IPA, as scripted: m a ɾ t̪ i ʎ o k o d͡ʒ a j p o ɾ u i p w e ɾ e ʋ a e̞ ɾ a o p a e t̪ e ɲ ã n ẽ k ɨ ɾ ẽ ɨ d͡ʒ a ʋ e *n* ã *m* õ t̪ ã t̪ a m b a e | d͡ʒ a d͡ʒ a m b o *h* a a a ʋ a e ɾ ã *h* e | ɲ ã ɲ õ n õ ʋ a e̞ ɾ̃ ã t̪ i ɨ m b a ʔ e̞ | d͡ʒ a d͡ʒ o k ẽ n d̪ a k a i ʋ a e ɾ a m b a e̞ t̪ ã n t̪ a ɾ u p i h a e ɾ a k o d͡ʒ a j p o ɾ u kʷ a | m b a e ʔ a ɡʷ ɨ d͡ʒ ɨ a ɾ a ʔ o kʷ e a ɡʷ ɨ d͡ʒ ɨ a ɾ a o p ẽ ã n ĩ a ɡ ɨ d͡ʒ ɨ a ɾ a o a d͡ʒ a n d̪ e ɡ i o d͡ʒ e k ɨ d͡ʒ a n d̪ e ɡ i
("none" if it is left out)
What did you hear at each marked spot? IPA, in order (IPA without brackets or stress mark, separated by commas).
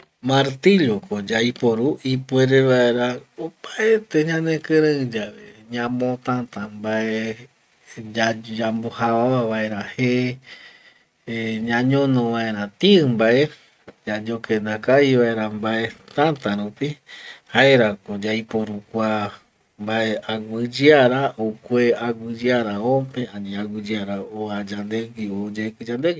ɲ, m, h, h